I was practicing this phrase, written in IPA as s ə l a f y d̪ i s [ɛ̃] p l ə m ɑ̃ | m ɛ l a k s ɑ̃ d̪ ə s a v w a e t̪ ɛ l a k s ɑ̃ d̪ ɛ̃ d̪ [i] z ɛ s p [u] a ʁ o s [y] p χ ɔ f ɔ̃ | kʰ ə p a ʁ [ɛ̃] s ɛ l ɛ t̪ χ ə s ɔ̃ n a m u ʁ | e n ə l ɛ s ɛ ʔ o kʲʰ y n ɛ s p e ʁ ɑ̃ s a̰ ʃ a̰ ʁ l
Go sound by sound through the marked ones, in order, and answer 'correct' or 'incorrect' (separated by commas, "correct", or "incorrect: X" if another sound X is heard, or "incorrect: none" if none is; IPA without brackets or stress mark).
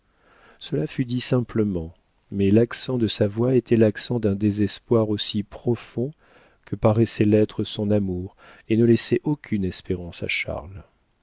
correct, incorrect: e, incorrect: w, incorrect: i, incorrect: ɛ